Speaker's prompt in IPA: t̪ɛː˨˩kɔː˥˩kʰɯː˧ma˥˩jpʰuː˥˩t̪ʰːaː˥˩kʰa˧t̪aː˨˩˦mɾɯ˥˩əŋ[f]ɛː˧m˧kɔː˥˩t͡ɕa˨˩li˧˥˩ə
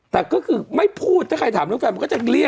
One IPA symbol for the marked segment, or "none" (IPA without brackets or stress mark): f